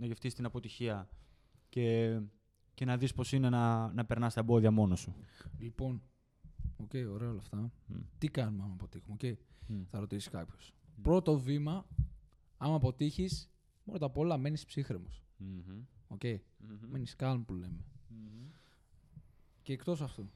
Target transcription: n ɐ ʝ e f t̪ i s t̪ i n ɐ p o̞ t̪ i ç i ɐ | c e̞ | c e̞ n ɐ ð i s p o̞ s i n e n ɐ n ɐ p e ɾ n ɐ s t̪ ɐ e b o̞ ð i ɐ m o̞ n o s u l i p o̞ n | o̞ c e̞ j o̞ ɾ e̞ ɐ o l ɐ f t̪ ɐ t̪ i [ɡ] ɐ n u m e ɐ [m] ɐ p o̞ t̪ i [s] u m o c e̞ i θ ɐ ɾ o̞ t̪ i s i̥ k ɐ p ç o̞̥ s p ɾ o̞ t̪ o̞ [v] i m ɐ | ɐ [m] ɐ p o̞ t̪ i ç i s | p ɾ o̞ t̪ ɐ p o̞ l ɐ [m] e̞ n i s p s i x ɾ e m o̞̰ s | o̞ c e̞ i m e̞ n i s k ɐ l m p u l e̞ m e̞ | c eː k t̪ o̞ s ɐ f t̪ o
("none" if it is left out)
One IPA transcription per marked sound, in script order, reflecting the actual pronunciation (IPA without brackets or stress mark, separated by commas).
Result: k, m, x, v, m, m